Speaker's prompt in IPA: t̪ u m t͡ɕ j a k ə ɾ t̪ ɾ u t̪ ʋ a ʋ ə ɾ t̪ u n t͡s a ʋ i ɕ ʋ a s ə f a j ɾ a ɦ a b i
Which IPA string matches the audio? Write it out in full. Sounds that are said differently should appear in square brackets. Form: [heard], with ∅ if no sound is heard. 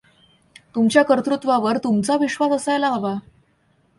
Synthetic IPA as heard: t̪ u m t͡ɕ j a k ə ɾ t̪ ɾ u t̪ ʋ a ʋ ə ɾ t̪ u [m] t͡s a ʋ i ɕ ʋ a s ə [s] a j [l] a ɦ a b [a]